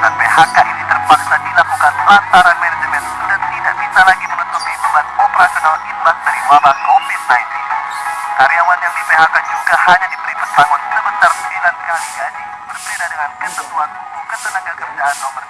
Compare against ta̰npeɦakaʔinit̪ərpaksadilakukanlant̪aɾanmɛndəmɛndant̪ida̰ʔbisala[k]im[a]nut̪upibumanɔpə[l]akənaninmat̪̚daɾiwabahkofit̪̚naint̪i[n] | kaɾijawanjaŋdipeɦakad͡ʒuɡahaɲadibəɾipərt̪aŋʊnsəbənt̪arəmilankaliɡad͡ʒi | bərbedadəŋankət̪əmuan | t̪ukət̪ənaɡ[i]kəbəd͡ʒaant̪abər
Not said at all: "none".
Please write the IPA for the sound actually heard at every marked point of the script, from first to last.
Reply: ɡ, ə, ɾ, n, a

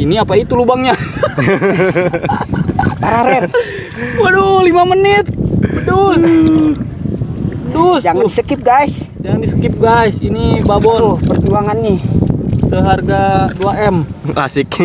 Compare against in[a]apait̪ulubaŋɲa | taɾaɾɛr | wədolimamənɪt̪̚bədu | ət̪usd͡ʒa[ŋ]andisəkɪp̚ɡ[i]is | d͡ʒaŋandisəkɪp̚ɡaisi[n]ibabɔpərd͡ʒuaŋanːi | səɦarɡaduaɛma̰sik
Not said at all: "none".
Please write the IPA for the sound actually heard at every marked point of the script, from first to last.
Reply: i, ŋ, a, n

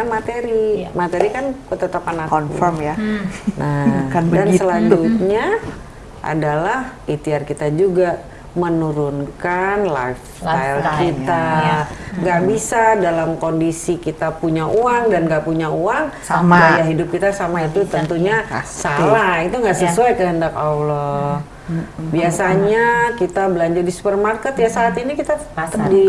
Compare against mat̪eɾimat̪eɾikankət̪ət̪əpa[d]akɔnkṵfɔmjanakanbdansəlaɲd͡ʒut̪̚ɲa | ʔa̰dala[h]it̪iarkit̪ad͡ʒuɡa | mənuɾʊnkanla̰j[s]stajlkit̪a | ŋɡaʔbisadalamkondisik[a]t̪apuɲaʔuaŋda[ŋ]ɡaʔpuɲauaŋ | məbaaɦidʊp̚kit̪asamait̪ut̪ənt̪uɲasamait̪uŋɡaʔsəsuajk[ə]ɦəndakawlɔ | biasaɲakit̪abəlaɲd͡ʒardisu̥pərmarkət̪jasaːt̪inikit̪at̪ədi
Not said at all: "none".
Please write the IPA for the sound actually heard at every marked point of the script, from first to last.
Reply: n, h, f, i, n, ə

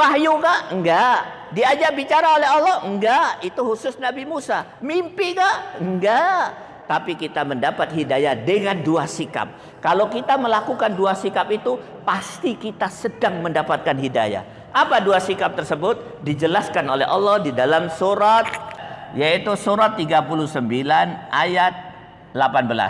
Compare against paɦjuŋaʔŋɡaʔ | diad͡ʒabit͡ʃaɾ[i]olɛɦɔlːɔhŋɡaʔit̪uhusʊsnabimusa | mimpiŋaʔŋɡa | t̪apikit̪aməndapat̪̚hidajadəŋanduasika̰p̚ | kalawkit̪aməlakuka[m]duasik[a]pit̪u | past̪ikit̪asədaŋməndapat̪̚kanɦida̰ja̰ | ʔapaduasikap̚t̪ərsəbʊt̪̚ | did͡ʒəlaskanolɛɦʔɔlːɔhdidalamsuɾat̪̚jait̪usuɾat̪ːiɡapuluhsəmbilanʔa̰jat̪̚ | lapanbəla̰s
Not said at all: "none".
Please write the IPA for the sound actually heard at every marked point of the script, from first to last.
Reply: a, n, a

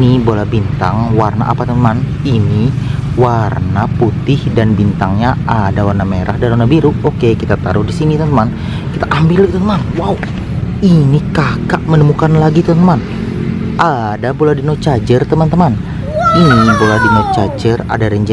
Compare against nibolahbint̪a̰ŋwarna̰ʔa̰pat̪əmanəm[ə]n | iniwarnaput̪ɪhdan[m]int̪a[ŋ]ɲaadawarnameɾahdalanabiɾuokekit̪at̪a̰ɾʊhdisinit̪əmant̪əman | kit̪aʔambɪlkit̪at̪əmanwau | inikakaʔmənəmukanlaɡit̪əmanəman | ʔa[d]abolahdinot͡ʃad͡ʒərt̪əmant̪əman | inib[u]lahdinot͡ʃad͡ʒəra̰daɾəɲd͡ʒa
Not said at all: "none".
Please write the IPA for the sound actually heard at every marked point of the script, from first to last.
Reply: a, b, ŋ, d, o

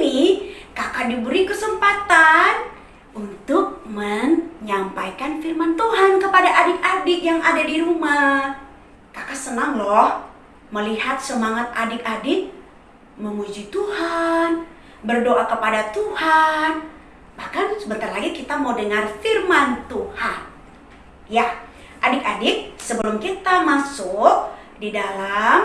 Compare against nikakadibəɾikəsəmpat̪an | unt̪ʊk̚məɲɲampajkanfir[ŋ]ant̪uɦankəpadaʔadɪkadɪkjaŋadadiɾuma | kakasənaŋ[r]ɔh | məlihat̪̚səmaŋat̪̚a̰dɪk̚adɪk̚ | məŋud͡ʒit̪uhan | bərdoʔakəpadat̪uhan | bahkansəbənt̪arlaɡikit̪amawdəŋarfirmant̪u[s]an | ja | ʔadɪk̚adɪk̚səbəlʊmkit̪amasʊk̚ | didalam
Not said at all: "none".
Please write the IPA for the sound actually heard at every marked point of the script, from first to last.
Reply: m, l, h

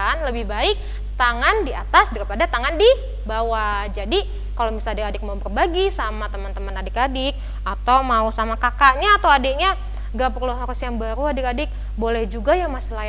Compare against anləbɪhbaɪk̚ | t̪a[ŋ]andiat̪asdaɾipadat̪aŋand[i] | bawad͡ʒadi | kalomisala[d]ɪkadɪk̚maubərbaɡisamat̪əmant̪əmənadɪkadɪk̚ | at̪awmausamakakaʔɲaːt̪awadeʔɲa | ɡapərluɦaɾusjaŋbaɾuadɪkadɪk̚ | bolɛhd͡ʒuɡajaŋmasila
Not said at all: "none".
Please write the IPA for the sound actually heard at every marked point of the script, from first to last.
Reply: ŋ, i, d

